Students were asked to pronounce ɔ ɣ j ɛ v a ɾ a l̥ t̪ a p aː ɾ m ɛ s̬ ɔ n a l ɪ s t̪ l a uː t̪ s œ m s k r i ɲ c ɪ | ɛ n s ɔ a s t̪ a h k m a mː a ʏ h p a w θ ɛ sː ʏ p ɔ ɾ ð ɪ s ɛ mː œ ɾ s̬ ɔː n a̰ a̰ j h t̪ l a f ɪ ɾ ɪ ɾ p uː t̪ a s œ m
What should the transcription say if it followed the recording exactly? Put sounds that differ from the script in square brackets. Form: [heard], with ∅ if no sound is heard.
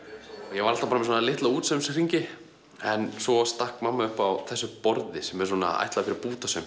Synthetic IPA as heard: ɔ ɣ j ɛ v a ɾ a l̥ t̪ a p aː ɾ m ɛ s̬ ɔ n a l ɪ [h] t̪ l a uː t̪ s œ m s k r i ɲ c ɪ | ɛ n s ɔ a s t̪ a h k m a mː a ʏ h p a w θ ɛ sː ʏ p ɔ ɾ ð ɪ s ɛ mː [ɛ] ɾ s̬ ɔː n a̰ a̰ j h t̪ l a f ɪ ɾ ɪ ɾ p uː t̪ a s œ m

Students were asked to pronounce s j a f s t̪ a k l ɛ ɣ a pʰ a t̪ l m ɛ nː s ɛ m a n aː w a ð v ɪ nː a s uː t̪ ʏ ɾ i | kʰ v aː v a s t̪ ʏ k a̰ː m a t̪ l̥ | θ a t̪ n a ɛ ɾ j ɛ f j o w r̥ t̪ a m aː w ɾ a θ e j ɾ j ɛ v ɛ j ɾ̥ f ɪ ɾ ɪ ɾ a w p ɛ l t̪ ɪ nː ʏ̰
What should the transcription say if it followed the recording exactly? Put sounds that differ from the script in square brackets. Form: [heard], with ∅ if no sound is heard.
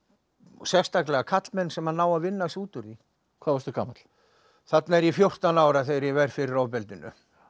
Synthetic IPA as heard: s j [ɛ] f s t̪ a k l ɛ ɣ a [kʰ] a t̪ l m ɛ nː s ɛ m a n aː w a ð v ɪ nː a s uː t̪ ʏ ɾ i | kʰ v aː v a s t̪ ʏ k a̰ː m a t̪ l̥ | θ a t̪ n a ɛ ɾ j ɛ f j o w r̥ t̪ a [n] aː w ɾ a θ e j ɾ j ɛ v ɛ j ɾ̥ f ɪ ɾ ɪ ɾ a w p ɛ l t̪ ɪ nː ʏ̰

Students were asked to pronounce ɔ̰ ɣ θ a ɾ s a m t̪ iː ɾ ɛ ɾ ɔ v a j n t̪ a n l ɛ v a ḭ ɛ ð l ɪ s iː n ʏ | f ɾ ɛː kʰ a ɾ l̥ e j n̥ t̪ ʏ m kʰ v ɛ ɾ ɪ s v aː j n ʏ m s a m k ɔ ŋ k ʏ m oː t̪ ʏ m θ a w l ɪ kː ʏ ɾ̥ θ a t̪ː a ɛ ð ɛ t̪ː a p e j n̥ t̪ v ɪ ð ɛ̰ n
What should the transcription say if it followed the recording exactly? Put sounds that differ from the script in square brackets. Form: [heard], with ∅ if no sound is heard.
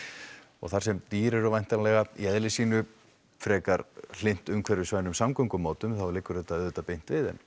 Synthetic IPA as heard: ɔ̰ ɣ θ a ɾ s [ɛ] m t̪ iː ɾ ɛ ɾ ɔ v a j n t̪ a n l ɛ [ɣ] a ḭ ɛ ð l ɪ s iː n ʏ | f ɾ ɛː [k] a ɾ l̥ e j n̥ t̪ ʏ m kʰ v ɛ ɾ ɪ s v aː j n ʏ m s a m k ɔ ŋ k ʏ m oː t̪ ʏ m θ a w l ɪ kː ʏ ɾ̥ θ [ɛ] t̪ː a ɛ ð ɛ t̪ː a p e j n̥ t̪ v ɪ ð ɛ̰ n

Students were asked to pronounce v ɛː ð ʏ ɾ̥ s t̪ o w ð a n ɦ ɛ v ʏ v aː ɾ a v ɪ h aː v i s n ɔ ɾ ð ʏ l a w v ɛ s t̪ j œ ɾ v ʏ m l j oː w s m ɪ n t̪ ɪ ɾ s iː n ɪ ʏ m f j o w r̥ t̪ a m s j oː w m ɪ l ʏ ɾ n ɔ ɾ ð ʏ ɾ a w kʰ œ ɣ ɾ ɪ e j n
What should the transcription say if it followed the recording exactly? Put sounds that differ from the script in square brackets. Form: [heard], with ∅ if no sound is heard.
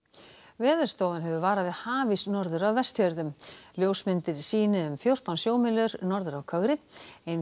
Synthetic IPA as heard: v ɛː ð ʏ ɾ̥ s t̪ o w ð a n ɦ ɛ v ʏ v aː ɾ a [ð] ɪ h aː v i s n ɔ ɾ ð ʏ [ɾ] a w v ɛ s t̪ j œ ɾ [ð] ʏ m l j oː w s m ɪ n t̪ ɪ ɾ s iː n ɪ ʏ m f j o w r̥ t̪ a [n] s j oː w m ɪ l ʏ ɾ n ɔ ɾ ð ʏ ɾ a w kʰ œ ɣ ɾ ɪ e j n

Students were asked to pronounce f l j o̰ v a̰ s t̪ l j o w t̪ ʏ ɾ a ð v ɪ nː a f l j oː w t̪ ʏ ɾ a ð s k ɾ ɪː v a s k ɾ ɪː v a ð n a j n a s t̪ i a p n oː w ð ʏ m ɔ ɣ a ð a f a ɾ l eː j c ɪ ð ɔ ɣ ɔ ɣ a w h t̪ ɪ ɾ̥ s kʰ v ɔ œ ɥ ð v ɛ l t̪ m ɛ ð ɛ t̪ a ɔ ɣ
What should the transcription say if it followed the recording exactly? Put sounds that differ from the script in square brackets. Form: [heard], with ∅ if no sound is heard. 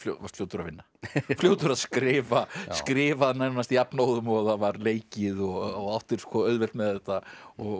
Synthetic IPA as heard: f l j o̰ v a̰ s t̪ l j o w t̪ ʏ ɾ a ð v ɪ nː a f l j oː w t̪ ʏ ɾ a ð s k ɾ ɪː v a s k ɾ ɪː v a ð n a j n a s t̪ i a p n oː w ð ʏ m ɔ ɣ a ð a [v] a ɾ l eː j c ɪ ð ɔ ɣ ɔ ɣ a w h t̪ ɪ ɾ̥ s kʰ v ɔ œ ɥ ð v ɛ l t̪ m ɛ ð ɛ t̪ a ɔ ɣ

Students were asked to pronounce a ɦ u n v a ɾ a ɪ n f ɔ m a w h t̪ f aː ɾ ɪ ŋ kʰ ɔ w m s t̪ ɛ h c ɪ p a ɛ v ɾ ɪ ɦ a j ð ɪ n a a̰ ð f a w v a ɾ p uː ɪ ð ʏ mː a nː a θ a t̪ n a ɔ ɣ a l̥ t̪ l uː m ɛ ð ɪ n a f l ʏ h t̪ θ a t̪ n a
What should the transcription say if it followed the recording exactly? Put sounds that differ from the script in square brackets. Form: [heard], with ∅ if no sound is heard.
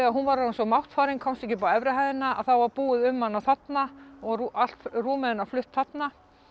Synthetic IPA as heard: a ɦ u n v a ɾ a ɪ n [s] ɔ m a w h t̪ f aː ɾ ɪ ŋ kʰ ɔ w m s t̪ ɛ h c ɪ p a ɛ v ɾ ɪ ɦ a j ð ɪ n a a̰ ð [θ] a w v a ɾ p uː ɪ ð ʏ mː a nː a θ a t̪ n a ɔ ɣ a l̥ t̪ [r] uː m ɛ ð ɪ n a f l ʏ h t̪ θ a t̪ n a

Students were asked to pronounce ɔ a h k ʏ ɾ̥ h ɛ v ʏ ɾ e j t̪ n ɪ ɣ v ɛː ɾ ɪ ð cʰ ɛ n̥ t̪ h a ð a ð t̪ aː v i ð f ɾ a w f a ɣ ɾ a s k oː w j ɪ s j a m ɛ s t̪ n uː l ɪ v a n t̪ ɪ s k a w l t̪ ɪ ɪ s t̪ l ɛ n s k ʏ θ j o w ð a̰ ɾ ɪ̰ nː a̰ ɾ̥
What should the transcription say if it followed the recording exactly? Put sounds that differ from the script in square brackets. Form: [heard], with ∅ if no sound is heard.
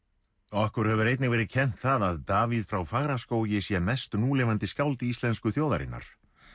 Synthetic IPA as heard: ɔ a h k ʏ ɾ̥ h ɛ v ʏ ɾ e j t̪ n ɪ ɣ v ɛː ɾ ɪ ð cʰ ɛ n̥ t̪ [θ] a ð a ð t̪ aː v i ð f ɾ a w f a ɣ ɾ a s k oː w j ɪ s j [ɛ] m ɛ s t̪ n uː l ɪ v a n t̪ ɪ s k a w l t̪ ɪ [i] s t̪ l ɛ n s k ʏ θ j o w ð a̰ ɾ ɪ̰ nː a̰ ɾ̥

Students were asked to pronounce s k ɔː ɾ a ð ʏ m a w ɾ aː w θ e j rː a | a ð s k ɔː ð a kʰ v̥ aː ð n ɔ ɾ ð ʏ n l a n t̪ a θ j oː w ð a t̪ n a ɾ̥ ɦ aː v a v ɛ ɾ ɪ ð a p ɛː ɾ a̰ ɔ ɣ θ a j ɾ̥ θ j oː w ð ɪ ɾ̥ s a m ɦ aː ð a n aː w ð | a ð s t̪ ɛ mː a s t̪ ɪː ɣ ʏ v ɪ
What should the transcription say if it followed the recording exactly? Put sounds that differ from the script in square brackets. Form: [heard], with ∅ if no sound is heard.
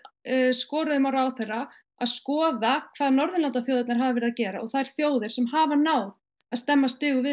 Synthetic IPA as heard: s k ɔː ɾ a ð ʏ m a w ɾ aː w θ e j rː a | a ð s k ɔː ð a kʰ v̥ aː ð n ɔ ɾ ð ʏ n l a n t̪ a θ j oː w ð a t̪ n a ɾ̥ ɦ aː v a v ɛ ɾ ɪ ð a [c] ɛː ɾ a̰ ɔ ɣ θ a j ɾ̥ θ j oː w ð ɪ ɾ̥ s [ɛ] m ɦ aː [v] a n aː w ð | a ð s t̪ ɛ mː a s t̪ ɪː ɣ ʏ v ɪ

